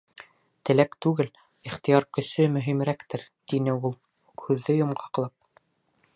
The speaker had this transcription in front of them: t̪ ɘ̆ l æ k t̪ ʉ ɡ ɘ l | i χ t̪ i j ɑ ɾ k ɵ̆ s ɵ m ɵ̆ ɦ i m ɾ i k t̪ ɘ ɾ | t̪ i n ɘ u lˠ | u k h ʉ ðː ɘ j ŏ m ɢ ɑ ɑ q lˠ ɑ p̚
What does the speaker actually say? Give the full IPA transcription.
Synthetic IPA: t̪ ɘ̆ l æ k t̪ ʉ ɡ ɘ l | i χ t̪ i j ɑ ɾ k ɵ̆ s ɵ m ɵ̆ ɦ i m ɾ æ k t̪ ɘ ɾ | t̪ i n ɘ u lˠ | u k h ʉ ðː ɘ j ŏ m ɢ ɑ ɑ q lˠ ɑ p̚